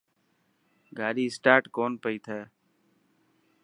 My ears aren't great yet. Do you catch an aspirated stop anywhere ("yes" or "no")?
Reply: yes